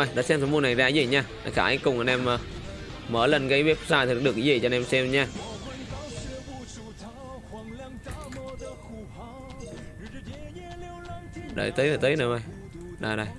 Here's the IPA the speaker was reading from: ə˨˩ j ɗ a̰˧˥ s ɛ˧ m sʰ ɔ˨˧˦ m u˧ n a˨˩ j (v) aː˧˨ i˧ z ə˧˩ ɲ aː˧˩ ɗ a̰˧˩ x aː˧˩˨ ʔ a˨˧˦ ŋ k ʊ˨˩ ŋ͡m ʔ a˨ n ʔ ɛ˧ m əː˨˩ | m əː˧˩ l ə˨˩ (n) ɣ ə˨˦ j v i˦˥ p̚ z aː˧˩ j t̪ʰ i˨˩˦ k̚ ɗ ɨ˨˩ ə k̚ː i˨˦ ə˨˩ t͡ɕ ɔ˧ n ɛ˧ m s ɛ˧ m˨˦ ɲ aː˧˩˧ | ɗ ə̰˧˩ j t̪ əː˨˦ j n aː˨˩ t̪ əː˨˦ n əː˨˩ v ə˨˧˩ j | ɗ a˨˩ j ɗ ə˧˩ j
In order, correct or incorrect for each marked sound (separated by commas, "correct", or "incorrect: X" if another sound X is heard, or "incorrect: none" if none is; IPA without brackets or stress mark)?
incorrect: z, correct